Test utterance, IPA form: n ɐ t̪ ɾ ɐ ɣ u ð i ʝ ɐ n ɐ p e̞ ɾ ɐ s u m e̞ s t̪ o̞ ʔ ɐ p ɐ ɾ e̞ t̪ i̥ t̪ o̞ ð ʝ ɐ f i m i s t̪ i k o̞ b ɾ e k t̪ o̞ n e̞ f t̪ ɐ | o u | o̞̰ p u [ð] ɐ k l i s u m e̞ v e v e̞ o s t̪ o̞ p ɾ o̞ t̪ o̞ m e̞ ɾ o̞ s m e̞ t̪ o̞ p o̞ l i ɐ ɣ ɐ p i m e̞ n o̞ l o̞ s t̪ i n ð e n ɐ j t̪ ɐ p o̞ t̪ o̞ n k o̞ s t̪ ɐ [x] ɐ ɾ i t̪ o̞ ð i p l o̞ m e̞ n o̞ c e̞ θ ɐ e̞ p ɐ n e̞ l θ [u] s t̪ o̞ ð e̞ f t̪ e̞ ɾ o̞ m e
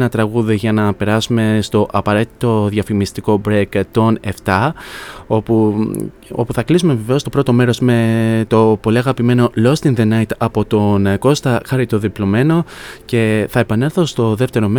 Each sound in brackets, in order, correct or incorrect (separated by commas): incorrect, correct, incorrect